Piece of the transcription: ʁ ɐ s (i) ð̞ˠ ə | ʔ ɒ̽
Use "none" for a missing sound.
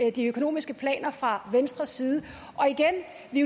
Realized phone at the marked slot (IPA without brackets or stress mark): iː